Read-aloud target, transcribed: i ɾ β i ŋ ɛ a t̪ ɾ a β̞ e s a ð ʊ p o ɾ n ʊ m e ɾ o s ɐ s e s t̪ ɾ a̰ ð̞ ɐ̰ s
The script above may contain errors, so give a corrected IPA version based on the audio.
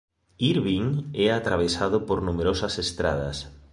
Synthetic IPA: i ɾ β i ŋ ɛ a t̪ ɾ a β̞ e s a ð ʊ p o ɾ n u m e ɾ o s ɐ s e s t̪ ɾ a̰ ð̞ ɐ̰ s